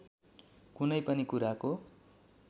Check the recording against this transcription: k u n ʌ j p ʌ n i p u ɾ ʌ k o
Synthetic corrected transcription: k u n ʌ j p ʌ n i k u ɾ a k o